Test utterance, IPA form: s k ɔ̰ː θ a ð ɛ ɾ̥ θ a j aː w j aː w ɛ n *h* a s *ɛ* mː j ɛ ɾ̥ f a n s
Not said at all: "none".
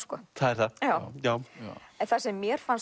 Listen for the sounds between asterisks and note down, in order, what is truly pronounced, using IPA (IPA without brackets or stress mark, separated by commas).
θ, ɛ